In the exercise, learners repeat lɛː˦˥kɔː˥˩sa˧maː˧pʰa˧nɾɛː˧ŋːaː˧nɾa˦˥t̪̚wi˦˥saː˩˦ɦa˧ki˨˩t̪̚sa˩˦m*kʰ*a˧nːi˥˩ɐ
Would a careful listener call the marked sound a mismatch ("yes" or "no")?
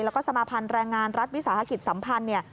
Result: yes